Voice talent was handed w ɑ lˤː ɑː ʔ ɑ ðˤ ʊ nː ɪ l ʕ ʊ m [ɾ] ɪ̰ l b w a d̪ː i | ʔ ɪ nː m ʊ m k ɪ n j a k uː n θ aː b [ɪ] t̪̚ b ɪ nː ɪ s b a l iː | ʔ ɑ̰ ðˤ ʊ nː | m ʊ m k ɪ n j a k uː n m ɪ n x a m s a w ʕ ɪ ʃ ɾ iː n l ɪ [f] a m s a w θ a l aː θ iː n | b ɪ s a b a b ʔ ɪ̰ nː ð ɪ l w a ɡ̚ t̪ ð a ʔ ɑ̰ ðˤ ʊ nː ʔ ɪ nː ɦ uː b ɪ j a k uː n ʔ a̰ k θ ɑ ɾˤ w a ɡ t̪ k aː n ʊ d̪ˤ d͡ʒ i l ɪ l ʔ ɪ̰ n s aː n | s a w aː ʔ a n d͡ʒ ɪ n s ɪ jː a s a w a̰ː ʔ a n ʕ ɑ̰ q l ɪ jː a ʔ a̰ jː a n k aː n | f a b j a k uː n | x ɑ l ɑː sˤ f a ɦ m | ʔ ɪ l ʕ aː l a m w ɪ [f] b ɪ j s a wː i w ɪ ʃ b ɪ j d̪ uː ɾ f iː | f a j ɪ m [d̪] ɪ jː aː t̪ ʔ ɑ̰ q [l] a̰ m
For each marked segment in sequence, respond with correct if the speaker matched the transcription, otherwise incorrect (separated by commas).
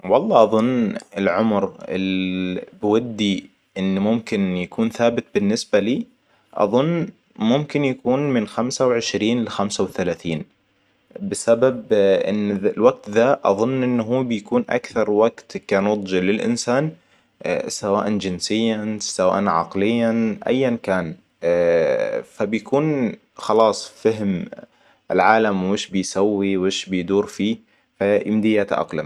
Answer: correct, correct, incorrect, incorrect, correct, correct